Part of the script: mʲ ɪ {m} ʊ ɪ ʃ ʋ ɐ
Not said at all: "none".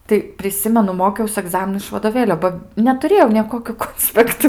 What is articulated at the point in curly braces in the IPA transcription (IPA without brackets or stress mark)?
n